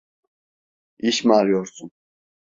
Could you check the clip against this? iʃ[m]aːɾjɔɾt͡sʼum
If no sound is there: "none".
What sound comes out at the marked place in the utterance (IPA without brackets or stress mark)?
m